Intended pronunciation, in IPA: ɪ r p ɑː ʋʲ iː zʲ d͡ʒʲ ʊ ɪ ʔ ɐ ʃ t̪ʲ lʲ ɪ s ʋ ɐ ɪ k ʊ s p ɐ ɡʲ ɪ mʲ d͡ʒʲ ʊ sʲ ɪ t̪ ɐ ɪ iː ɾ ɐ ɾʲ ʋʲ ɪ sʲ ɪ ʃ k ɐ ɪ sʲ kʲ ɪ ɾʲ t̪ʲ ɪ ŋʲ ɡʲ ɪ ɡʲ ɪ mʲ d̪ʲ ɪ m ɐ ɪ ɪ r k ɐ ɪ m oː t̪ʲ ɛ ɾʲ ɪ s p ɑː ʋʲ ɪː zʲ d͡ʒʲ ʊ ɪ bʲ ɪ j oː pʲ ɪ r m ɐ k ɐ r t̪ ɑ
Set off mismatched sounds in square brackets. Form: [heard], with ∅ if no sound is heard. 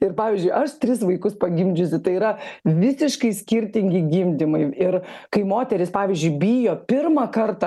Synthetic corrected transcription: ɪ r p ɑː ʋʲ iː zʲ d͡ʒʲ ʊ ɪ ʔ ɐ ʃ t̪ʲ [ɾʲ] ɪ s ʋ ɐ ɪ k ʊ s p ɐ ɡʲ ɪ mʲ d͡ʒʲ ʊ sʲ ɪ t̪ ɐ ɪ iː ɾ ɐ [∅] ʋʲ ɪ sʲ ɪ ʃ k ɐ ɪ sʲ kʲ ɪ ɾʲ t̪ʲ ɪ ŋʲ ɡʲ ɪ ɡʲ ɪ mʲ d̪ʲ ɪ m ɐ ɪ ɪ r k ɐ ɪ m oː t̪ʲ ɛ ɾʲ ɪ s p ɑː ʋʲ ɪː zʲ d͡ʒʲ ʊ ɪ bʲ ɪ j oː pʲ ɪ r m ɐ k ɐ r t̪ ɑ